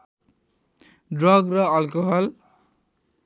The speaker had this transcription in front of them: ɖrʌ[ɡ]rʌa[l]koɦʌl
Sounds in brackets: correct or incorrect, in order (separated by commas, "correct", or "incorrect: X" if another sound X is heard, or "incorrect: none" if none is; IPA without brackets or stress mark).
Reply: correct, correct